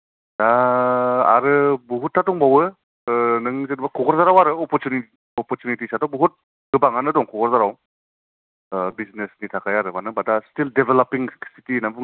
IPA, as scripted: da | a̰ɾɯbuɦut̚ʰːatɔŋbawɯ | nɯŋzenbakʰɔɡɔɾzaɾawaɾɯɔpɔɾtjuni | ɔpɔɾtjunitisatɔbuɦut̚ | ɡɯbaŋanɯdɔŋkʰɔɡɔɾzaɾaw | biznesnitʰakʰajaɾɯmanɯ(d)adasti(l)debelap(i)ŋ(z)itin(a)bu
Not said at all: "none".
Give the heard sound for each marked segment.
b, l, i, s, a

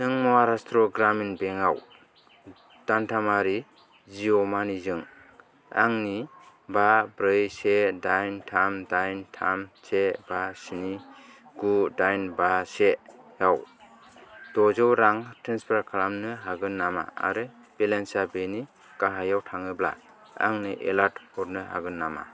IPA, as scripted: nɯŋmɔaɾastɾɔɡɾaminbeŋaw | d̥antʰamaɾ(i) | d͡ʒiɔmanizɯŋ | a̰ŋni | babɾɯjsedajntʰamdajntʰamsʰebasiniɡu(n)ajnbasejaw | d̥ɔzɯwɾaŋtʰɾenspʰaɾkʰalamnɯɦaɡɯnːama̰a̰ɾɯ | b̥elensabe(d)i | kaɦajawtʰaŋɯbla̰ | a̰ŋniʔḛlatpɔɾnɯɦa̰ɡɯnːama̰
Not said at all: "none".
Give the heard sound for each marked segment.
i, d, n

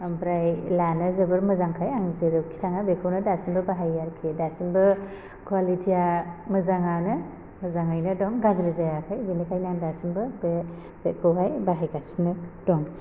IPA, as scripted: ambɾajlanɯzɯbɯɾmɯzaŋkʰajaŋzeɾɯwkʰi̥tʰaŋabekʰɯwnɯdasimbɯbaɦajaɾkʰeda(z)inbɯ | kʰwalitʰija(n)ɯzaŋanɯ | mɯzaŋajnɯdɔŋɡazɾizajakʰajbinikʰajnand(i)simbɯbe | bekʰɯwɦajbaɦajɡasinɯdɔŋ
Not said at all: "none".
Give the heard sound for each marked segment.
s, m, a

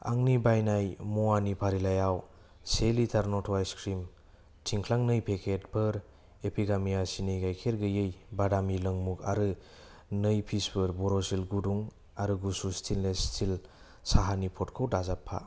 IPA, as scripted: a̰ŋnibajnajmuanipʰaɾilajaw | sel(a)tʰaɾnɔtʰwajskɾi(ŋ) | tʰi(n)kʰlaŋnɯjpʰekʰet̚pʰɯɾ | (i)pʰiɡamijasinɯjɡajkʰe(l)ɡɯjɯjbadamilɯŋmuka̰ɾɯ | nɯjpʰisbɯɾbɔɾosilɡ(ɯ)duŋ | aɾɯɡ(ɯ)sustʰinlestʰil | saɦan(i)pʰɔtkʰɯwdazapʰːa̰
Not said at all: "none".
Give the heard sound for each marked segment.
i, m, ŋ, e, ɾ, u, u, i

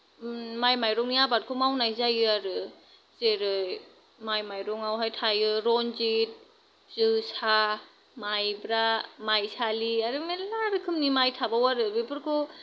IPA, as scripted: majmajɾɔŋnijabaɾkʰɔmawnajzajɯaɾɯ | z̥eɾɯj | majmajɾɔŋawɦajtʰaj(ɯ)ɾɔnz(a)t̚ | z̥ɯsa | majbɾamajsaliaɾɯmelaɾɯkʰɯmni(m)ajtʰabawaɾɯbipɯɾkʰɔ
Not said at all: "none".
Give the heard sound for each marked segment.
ɯ, i, m

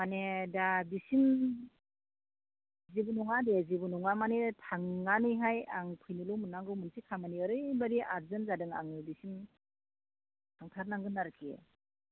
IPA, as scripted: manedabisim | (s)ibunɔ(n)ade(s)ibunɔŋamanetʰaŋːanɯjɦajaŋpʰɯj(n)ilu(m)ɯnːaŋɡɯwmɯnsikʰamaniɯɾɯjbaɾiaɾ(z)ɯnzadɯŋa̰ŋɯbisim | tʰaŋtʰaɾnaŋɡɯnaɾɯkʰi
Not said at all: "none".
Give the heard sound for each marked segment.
z, ŋ, z, n, m, z

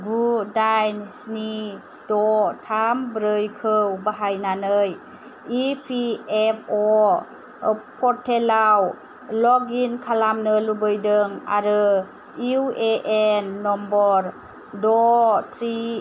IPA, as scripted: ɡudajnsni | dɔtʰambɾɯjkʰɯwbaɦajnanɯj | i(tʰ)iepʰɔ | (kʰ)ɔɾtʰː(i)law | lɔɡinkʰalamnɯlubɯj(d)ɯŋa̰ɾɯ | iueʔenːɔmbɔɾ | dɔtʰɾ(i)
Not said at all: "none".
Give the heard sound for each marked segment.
pʰ, pʰ, e, d, i

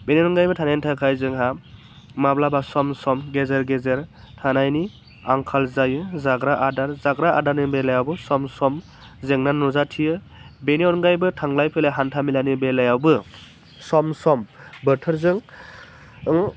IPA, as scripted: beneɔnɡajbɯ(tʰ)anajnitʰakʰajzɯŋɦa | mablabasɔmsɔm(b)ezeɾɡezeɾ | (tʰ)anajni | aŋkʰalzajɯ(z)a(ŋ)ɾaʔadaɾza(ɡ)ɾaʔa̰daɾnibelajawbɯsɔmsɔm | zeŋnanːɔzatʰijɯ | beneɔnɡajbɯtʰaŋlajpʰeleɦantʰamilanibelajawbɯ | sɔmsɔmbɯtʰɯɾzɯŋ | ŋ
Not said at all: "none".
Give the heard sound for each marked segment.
tʰ, ɡ, tʰ, z, ɡ, ɡ

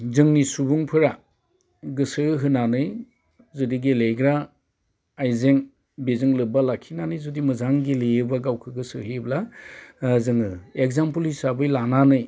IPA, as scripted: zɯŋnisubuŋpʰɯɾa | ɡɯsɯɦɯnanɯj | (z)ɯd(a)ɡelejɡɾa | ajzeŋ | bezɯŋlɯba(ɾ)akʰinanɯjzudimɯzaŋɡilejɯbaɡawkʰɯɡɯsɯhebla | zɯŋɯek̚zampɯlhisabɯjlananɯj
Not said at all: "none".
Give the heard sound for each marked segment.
z, i, l

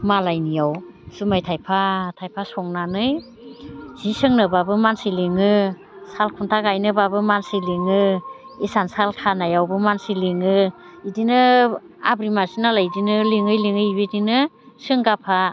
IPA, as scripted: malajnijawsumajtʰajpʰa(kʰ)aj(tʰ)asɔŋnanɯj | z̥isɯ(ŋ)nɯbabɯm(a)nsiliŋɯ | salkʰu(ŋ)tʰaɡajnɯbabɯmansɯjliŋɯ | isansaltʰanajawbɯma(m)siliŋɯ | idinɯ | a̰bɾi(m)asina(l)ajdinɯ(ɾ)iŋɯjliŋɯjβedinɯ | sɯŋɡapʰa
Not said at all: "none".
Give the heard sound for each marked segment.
tʰ, pʰ, ŋ, a, n, n, m, l, l

